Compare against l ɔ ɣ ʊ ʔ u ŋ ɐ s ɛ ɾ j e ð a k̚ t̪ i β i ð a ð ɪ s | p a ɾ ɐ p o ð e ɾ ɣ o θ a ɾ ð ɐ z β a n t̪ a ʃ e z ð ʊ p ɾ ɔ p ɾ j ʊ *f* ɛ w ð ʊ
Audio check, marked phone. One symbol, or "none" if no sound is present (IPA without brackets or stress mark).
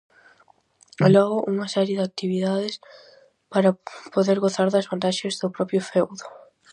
f